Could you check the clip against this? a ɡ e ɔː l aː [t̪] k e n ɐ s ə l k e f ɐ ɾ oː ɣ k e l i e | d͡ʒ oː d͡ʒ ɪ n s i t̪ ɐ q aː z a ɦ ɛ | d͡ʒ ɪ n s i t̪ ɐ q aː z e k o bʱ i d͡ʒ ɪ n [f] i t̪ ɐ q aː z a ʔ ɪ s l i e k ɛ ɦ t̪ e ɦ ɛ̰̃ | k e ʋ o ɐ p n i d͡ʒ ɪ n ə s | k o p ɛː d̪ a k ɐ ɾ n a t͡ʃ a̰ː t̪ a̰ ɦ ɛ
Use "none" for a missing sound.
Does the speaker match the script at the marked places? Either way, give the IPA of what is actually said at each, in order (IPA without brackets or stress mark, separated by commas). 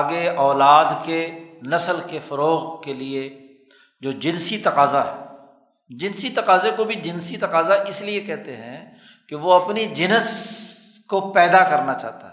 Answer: d̪, s